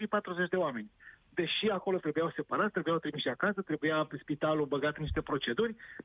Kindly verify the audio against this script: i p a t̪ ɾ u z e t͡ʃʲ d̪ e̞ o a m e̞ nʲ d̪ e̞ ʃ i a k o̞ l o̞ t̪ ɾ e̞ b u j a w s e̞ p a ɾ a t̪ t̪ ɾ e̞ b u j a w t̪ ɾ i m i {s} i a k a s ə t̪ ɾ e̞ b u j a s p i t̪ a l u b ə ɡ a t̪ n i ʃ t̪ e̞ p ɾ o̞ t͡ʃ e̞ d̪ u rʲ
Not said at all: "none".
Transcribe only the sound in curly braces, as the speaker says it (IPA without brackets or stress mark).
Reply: ʃ